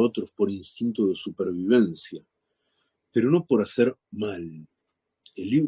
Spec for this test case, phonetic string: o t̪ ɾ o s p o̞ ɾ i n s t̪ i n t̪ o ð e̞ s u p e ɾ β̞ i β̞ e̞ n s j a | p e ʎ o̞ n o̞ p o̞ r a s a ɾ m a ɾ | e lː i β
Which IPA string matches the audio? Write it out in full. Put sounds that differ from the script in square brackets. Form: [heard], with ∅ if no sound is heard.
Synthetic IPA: o t̪ ɾ o s p o̞ ɾ i n s t̪ i n t̪ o ð e̞ s u p e ɾ β̞ i β̞ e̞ n s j a | p e [ɾ] o̞ n o̞ p o̞ [ɾ] a s [e] ɾ m a [l] | e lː i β